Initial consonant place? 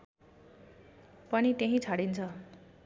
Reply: labial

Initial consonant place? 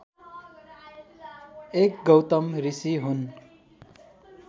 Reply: velar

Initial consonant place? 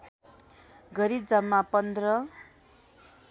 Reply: velar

